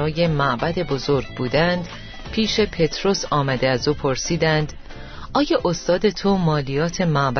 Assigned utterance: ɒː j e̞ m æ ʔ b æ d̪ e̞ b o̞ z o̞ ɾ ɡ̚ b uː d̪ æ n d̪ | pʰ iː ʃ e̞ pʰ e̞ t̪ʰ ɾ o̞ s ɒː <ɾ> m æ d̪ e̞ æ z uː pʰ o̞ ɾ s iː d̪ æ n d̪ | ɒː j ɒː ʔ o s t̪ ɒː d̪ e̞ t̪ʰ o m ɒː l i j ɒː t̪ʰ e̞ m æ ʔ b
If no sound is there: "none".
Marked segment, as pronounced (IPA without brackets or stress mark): none